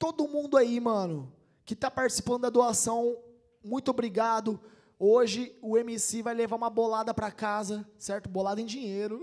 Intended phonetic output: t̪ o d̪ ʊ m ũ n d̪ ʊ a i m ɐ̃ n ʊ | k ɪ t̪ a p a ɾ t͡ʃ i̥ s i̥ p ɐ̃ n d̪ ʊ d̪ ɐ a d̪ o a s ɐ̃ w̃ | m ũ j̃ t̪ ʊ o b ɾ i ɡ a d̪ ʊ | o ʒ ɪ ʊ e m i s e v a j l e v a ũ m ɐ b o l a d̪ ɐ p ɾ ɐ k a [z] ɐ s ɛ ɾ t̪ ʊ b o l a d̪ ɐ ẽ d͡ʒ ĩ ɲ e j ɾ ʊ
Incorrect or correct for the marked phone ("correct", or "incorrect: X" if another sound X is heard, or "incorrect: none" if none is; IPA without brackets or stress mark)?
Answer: correct